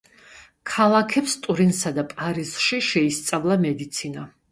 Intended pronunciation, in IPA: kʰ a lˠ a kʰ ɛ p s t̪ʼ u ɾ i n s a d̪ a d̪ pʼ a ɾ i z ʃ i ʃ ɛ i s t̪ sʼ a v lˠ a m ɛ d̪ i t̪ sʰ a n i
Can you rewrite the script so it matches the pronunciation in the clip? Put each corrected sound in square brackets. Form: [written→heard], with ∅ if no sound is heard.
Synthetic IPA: kʰ a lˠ a kʰ ɛ p s t̪ʼ u ɾ i n s a d̪ a [d̪→∅] pʼ a ɾ i z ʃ i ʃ ɛ i s t̪ sʼ a v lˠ a m ɛ d̪ i t̪ sʰ [a→i] n [i→a]